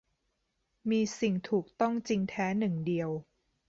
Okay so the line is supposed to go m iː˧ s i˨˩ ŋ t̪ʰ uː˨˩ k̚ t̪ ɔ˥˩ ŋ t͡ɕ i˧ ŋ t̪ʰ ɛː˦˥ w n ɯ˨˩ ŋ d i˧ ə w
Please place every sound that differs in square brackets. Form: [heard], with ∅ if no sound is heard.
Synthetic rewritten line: m iː˧ s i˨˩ ŋ t̪ʰ uː˨˩ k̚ t̪ ɔ˥˩ ŋ t͡ɕ i˧ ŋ t̪ʰ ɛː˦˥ [∅] n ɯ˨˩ ŋ d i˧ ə w